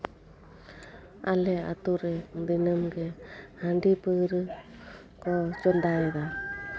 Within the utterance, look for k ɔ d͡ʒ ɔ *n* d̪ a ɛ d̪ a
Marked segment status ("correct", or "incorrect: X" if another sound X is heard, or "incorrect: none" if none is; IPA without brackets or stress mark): correct